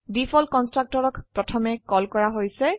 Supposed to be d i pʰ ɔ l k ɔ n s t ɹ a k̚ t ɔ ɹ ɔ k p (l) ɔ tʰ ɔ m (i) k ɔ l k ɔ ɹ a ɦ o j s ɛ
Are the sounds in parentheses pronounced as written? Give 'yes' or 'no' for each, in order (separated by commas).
no, no